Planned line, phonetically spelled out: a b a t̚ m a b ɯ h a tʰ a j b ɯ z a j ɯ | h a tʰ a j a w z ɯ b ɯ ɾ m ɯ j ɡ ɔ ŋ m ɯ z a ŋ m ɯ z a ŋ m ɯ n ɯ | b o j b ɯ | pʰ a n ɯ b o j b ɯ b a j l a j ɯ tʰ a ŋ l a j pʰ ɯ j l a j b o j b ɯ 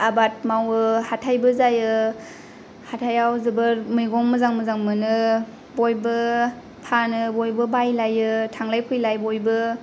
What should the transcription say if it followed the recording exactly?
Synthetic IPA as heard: a b a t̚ m a w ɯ h a tʰ a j b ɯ z a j ɯ | h a tʰ a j a w z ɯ b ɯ ɾ m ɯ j ɡ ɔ ŋ m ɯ z a ŋ m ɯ z a ŋ m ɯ n ɯ | b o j b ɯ | pʰ a n ɯ b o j b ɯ b a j l a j ɯ tʰ a ŋ l a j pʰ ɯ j l a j b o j b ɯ